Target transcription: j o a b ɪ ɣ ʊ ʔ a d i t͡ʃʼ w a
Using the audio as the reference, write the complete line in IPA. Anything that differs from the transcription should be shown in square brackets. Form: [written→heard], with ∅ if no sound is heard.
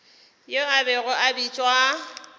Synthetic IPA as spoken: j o a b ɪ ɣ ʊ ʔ a [d→b] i t͡ʃʼ w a